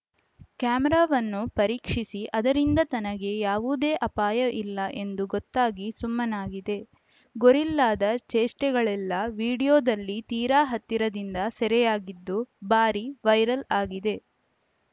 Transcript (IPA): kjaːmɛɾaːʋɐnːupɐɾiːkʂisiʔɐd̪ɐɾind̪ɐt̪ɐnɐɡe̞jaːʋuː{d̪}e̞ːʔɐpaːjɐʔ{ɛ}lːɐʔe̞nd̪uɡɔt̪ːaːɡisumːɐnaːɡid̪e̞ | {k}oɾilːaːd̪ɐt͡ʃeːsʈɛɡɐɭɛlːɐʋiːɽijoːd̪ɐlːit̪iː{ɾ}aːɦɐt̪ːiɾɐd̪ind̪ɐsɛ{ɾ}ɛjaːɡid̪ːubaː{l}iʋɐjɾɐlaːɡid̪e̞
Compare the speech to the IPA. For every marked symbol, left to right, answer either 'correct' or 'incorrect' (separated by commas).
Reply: correct, incorrect, incorrect, correct, correct, incorrect